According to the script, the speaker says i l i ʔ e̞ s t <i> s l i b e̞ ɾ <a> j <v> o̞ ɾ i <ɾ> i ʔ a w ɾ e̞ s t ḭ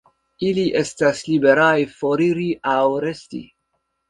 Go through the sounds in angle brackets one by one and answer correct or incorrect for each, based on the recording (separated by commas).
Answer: incorrect, correct, incorrect, correct